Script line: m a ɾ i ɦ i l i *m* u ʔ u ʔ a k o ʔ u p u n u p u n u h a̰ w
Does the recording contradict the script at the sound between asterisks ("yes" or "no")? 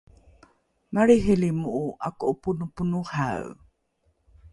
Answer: no